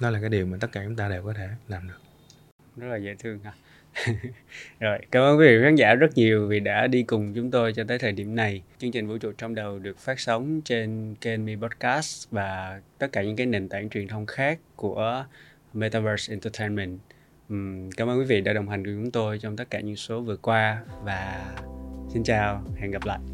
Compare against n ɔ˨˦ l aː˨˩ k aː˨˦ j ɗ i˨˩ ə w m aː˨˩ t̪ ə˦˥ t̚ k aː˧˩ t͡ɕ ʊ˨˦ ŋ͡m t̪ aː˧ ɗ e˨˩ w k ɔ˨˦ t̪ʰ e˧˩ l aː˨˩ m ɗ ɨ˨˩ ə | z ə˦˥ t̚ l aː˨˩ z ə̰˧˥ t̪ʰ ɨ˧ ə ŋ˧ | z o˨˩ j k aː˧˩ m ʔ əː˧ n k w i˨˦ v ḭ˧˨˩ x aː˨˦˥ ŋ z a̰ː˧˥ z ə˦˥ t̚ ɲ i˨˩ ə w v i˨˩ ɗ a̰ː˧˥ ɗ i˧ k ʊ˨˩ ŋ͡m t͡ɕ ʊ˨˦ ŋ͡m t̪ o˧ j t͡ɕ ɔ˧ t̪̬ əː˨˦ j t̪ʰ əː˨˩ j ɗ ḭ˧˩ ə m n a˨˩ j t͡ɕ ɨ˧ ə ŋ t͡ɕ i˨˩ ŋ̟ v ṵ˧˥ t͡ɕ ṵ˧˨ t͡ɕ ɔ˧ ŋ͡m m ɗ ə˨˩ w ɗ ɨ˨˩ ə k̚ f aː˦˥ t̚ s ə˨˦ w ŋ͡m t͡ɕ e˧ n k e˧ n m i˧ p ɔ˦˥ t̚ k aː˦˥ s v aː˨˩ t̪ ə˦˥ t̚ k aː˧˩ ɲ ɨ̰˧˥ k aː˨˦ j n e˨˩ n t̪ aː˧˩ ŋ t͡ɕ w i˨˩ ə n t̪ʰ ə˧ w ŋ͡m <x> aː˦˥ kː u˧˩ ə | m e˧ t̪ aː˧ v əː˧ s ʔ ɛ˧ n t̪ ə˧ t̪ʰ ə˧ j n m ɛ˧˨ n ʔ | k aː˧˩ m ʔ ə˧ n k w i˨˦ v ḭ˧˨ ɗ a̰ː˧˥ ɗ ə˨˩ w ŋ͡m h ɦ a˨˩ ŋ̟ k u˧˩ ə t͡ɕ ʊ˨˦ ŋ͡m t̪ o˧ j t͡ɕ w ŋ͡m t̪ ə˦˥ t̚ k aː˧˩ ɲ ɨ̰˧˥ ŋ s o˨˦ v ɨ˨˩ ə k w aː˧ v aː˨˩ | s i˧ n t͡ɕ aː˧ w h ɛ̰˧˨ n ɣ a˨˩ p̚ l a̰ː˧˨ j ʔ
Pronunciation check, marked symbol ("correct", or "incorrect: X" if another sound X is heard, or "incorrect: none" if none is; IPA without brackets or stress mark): correct